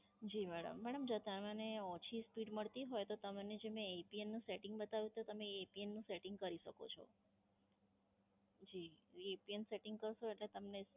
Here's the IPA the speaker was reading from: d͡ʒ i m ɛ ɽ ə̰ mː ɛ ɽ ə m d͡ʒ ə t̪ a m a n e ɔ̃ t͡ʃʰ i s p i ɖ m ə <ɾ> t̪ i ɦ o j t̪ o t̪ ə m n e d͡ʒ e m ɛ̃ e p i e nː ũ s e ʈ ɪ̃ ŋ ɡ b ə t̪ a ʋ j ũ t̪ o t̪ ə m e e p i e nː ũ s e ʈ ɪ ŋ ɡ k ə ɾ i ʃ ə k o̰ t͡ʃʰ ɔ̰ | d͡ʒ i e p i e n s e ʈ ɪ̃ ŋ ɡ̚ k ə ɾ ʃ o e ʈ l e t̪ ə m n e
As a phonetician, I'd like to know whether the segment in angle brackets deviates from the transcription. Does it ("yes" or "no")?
yes